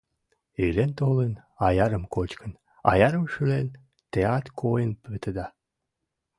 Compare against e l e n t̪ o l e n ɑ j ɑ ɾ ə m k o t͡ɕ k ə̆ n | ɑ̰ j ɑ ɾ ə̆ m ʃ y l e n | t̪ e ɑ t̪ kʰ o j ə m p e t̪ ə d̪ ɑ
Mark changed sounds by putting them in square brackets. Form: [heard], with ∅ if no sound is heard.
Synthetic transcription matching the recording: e l e n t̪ o l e n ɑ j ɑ ɾ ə m k o t͡ɕ k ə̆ n | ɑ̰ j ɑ ɾ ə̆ m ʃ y l e n | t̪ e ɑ t̪ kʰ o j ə [n] p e t̪ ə d̪ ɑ